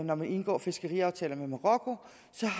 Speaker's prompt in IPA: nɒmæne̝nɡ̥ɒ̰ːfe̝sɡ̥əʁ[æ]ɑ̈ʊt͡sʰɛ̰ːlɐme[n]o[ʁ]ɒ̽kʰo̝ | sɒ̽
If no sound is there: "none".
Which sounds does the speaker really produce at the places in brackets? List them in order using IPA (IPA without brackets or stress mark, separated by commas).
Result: i, m, ʁ